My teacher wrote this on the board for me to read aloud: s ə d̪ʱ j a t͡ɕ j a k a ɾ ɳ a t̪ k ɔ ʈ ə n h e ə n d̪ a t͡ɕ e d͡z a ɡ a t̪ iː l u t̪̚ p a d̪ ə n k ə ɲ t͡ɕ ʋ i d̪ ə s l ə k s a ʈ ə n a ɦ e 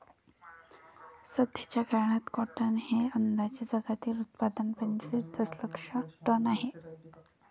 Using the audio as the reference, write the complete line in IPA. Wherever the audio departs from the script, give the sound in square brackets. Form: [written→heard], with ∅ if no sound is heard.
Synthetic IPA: s ə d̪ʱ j a t͡ɕ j a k a ɾ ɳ a t̪ k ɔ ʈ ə n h e ə n d̪ a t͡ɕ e d͡z [a→ə] ɡ a t̪ iː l u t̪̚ p a d̪ ə n [k→p] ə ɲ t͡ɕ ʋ i d̪ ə s l ə k [s→ʂ] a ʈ ə n a ɦ e